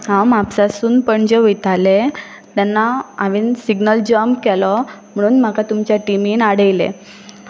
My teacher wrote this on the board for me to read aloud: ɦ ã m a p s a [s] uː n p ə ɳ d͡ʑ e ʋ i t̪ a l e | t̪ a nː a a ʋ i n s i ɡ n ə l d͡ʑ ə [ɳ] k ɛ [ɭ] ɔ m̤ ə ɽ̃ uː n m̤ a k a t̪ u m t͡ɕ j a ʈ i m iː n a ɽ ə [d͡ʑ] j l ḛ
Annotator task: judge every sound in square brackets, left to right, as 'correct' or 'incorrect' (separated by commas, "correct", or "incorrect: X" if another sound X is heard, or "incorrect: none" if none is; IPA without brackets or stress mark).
correct, incorrect: m, incorrect: l, incorrect: none